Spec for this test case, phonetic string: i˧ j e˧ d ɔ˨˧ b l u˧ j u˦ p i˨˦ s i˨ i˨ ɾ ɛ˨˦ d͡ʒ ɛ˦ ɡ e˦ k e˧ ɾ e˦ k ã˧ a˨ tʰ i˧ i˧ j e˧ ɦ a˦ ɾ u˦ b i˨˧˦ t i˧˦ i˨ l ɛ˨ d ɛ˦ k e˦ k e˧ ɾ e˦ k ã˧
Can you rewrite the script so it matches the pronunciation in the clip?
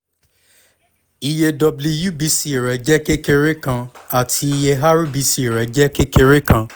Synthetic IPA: i˧ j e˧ d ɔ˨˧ b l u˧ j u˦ b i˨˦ s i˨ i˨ ɾ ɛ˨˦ d͡ʒ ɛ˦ k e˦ k e˧ ɾ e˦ k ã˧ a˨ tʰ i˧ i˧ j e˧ ɦ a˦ ɾ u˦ b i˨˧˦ s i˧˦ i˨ ɾ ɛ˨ d͡ʒ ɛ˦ k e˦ k e˧ ɾ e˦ k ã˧

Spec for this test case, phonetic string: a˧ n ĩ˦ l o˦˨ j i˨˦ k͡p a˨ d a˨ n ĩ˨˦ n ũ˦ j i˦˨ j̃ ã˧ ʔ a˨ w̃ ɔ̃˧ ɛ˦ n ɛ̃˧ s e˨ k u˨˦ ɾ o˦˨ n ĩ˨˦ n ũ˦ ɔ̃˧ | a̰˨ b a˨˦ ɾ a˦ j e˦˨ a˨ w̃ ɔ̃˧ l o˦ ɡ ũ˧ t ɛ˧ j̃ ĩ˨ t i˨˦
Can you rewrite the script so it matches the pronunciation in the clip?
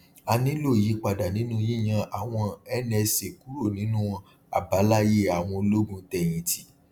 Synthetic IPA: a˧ n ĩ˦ l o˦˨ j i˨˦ k͡p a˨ d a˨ n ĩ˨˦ n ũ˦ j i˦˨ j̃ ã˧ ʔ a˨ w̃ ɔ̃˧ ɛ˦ n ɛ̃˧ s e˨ k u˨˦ ɾ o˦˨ n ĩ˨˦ n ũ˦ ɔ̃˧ | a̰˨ b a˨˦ l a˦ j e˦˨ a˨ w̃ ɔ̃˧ l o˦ ɡ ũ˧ t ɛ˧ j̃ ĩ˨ t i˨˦

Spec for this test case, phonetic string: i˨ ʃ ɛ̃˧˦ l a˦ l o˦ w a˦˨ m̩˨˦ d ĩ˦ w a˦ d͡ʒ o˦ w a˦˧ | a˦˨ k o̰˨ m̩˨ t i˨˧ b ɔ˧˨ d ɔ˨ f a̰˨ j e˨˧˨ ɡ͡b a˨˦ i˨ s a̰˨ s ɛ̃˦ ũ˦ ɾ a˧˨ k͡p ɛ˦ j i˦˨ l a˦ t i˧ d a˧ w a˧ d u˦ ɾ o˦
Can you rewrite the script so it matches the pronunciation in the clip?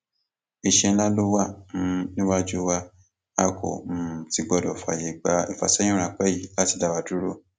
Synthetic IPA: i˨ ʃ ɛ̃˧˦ l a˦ l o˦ w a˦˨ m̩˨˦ n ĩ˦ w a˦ d͡ʒ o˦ w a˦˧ | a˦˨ k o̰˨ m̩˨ t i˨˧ ɡ͡b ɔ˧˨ d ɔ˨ f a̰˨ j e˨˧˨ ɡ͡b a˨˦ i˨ f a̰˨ s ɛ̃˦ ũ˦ ɾ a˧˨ k͡p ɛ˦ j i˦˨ l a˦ t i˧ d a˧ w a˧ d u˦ ɾ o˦

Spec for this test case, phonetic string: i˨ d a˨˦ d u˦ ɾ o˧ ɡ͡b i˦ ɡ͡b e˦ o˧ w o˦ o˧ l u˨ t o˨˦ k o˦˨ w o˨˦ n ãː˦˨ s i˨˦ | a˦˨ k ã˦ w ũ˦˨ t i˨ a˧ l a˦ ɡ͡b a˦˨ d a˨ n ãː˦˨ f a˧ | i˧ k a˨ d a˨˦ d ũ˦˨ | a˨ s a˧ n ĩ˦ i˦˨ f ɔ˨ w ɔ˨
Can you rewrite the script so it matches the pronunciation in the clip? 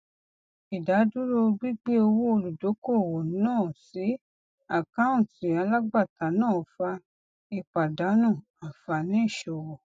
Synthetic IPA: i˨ d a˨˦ d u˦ ɾ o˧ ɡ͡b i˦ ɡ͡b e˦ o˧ w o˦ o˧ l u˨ d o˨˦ k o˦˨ w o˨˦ n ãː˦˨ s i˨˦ | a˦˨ k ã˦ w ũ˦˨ t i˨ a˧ l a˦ ɡ͡b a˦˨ t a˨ n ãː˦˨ f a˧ | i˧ k͡p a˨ d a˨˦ n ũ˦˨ | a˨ f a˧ n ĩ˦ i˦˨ ʃ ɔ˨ w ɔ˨

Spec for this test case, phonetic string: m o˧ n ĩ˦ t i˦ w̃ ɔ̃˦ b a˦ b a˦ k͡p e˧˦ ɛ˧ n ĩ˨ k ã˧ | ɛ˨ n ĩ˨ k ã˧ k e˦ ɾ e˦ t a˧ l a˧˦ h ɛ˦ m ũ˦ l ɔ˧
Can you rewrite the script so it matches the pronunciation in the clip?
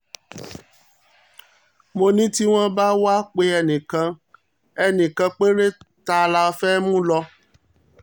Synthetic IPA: m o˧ n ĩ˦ t i˦ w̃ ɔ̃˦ b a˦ w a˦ k͡p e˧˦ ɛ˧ n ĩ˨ k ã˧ | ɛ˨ n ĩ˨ k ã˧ k͡p e˦ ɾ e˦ t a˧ l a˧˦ f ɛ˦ m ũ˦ l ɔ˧

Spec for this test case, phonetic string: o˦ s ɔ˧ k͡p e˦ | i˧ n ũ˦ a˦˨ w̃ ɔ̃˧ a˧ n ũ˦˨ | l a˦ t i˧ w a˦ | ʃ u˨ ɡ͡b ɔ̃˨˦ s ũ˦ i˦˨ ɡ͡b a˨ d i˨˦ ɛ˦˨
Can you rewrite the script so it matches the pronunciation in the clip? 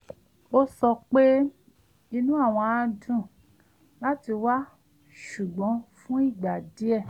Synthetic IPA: o˦ s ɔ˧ k͡p e˦ | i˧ n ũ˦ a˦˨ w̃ ɔ̃˧ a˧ d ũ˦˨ | l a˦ t i˧ w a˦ | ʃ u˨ ɡ͡b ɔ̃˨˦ f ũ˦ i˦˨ ɡ͡b a˨ d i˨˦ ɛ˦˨

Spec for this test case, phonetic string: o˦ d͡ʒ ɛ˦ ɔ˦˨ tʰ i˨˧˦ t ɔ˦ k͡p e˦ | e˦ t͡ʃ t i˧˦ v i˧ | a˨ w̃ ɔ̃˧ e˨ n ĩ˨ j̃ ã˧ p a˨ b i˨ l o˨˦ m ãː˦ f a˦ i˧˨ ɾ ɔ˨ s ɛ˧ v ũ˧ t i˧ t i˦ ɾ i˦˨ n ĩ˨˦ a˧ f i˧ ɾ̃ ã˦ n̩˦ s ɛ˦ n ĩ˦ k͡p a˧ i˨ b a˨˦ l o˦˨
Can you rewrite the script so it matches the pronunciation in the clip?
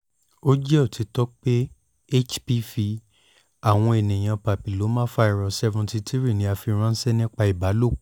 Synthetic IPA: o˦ d͡ʒ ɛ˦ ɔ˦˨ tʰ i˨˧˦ t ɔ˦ k͡p e˦ | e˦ t͡ʃ p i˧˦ f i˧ | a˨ w̃ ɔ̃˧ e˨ n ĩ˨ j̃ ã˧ p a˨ p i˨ l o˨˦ m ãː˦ f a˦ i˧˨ ɾ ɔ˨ s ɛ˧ v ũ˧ t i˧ t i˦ ɾ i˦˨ n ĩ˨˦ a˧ f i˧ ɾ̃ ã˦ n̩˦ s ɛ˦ n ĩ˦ k͡p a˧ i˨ b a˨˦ l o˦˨

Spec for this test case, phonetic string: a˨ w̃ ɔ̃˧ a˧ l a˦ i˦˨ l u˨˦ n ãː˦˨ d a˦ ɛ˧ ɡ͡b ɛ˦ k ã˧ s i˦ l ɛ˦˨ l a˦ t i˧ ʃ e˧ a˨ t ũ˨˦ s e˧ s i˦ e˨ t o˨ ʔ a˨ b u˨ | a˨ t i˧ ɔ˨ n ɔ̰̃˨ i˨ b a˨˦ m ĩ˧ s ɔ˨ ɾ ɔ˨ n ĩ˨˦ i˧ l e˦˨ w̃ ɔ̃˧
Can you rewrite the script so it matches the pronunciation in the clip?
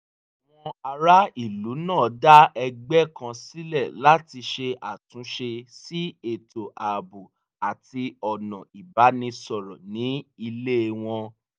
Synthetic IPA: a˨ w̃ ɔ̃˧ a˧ ɾ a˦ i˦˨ l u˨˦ n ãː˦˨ d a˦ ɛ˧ ɡ͡b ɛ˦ k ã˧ s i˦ l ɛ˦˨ l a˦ t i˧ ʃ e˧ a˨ t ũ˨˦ ʃ e˧ s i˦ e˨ t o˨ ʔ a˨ b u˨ | a˨ t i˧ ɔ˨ n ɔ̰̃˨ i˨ b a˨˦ n ĩ˧ s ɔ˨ ɾ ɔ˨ n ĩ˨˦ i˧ l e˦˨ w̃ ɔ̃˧

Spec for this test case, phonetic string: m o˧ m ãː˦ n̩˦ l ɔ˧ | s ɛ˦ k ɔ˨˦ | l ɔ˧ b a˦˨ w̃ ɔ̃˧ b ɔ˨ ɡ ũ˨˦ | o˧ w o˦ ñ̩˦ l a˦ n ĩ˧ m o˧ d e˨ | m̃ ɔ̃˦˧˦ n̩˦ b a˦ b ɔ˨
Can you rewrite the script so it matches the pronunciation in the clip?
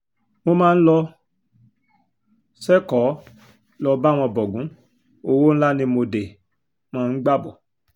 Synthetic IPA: m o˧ m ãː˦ n̩˦ l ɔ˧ | s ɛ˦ k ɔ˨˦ | l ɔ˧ b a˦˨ w̃ ɔ̃˧ b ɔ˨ ɡ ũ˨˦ | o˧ w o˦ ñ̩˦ l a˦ n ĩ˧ m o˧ d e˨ | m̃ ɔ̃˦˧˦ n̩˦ ɡ͡b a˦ b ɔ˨

